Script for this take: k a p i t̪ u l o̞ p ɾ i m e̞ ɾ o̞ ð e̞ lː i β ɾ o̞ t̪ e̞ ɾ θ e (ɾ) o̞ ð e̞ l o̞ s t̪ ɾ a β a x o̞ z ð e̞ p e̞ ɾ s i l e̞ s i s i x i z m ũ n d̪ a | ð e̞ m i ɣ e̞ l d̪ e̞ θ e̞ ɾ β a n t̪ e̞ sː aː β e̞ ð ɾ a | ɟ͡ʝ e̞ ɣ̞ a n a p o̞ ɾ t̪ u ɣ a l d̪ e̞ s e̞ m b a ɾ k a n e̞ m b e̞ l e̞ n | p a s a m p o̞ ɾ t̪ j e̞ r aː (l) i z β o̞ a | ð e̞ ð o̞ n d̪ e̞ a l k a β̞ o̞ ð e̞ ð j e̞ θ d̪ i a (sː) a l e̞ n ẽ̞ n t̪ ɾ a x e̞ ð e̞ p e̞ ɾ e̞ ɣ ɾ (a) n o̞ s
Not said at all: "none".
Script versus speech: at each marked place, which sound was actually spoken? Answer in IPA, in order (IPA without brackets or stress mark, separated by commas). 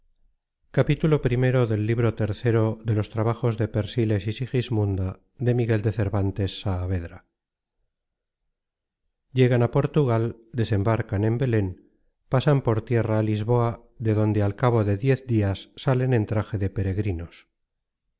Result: ɾ, l, sː, i